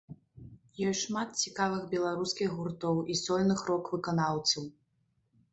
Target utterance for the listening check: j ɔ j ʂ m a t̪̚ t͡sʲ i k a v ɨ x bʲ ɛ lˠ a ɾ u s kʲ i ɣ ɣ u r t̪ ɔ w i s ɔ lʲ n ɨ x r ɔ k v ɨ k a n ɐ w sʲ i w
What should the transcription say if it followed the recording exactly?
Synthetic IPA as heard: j ɔ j ʂ m a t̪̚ t͡sʲ i k a v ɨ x bʲ ɛ lˠ a ɾ u s kʲ i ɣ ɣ u r t̪ ɔ w i s ɔ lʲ n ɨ x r ɔ k v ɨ k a n a w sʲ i w